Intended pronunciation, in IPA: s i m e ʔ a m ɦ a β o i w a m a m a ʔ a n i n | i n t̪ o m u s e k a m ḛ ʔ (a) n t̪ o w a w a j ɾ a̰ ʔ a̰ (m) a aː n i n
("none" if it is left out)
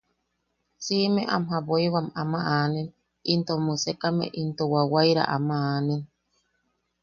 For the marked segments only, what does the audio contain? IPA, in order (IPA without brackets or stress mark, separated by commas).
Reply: i, m